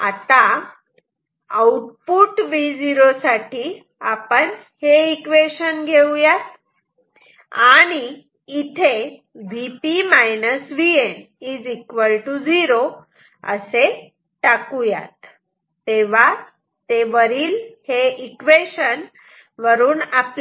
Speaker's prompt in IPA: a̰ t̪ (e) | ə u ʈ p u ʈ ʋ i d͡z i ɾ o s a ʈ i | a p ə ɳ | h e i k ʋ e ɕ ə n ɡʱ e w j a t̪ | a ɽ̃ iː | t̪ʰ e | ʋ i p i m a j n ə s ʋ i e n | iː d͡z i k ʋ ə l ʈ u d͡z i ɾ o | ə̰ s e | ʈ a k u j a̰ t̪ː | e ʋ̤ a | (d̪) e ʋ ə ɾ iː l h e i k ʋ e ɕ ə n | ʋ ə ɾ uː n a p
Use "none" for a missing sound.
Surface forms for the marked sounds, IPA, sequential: a, t̪

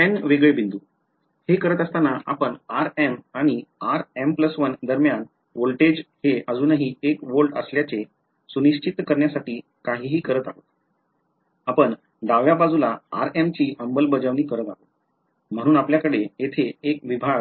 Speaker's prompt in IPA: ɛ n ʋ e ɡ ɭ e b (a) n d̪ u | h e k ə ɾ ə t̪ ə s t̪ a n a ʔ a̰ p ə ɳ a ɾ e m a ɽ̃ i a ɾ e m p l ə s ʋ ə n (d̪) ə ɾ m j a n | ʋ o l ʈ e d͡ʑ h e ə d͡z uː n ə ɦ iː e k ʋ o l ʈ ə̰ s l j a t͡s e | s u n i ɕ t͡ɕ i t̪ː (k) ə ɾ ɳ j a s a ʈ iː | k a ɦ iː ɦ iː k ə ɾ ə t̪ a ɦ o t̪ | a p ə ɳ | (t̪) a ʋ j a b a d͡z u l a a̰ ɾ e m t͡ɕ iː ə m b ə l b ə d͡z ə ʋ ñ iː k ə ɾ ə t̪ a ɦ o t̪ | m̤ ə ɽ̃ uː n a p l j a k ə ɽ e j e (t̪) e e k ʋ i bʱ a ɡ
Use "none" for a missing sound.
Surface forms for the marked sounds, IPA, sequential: i, d̪, k, d̪, t̪ʰ

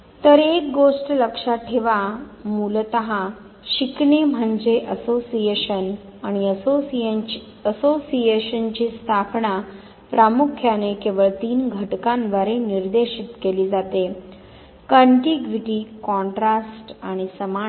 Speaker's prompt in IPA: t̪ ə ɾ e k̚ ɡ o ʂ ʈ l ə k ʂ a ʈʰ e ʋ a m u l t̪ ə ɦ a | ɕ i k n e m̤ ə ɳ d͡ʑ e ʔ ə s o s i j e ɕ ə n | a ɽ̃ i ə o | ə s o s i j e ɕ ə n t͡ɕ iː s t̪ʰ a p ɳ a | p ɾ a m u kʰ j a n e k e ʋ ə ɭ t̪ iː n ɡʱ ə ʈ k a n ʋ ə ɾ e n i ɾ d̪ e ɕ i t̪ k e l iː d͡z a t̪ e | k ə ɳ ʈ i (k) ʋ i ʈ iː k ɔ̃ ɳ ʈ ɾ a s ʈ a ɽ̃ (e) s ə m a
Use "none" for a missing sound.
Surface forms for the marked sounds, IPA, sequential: ɡ, i

